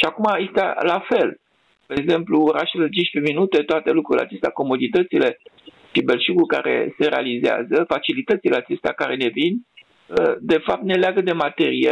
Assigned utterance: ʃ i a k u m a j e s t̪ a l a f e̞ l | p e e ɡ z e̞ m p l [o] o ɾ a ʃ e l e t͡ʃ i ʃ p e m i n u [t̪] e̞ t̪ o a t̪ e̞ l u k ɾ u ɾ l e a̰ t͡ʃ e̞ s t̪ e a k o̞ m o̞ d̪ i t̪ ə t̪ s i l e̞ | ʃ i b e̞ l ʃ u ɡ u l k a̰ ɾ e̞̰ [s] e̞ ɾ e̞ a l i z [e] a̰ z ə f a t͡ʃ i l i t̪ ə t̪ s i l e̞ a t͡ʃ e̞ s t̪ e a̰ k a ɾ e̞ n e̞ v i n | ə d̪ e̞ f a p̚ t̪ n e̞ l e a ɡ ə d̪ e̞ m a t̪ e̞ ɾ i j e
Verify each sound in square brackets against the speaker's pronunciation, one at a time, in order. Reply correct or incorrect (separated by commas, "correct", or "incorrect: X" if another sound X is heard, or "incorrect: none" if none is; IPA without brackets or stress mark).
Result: incorrect: u, correct, correct, correct